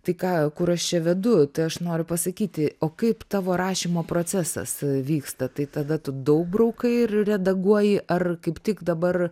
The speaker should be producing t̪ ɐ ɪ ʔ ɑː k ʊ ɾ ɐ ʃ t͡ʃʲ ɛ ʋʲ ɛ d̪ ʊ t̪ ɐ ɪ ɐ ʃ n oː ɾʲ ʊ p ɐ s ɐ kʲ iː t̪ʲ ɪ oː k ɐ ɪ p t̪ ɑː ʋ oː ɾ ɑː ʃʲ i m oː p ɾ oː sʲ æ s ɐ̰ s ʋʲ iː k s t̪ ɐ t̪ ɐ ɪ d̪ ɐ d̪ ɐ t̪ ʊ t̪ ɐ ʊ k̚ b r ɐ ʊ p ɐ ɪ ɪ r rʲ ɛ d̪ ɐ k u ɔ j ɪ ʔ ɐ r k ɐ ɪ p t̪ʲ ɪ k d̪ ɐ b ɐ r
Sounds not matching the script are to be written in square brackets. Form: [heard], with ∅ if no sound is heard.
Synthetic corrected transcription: t̪ ɐ ɪ [k] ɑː k ʊ ɾ ɐ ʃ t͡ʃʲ ɛ ʋʲ ɛ d̪ ʊ t̪ ɐ ɪ ɐ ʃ n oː ɾʲ ʊ p ɐ s ɐ kʲ iː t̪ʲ ɪ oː k ɐ ɪ p t̪ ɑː ʋ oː ɾ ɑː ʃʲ i m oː p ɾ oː [t͡sʲ] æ s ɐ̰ s ʋʲ iː k s t̪ ɐ t̪ ɐ ɪ [t̪] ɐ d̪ ɐ t̪ ʊ [d̪] ɐ ʊ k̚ b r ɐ ʊ [k] ɐ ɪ ɪ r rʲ ɛ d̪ ɐ [ɡ] u ɔ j ɪ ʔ ɐ r k ɐ ɪ p t̪ʲ ɪ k d̪ ɐ b ɐ r